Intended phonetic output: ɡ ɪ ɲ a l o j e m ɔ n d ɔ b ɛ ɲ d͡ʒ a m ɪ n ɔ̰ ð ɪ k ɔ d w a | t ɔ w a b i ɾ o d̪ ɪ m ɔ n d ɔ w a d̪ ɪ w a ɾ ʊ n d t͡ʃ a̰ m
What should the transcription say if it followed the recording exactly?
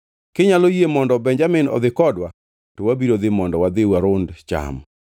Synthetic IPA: k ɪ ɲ a l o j e m ɔ n d ɔ b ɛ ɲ d͡ʒ a m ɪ n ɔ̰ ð ɪ k ɔ d w a | t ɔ w a b i ɾ o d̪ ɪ m ɔ n d ɔ w a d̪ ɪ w a ɾ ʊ n d t͡ʃ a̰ m